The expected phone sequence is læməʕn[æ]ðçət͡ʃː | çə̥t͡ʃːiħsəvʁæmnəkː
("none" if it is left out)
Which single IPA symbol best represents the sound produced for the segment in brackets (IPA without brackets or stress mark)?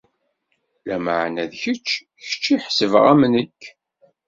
æ